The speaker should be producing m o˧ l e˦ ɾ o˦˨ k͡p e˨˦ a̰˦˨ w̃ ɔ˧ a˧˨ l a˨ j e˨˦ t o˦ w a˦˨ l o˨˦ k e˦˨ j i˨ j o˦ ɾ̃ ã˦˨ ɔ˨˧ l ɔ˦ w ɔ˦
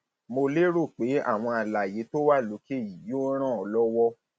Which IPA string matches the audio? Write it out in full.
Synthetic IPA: m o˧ l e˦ ɾ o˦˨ k͡p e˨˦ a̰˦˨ w̃ ɔ̃˧ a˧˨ l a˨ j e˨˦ t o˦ w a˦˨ l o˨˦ k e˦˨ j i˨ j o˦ ɾ̃ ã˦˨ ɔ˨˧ l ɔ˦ w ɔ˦